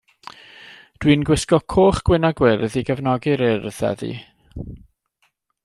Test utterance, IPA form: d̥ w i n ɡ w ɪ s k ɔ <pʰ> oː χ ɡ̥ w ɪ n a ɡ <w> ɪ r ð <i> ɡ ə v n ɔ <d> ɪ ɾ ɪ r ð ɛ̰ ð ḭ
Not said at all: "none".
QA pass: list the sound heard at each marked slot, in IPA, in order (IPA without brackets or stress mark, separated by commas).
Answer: kʰ, w, i, ɡ